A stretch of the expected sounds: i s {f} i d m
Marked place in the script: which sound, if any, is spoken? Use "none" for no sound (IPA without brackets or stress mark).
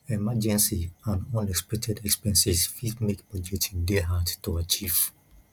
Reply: f